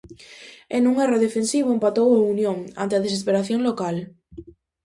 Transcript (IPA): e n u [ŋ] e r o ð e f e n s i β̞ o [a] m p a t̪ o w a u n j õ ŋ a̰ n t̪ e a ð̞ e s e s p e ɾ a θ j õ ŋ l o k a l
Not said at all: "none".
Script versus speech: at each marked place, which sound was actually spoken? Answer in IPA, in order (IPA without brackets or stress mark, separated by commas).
ŋ, e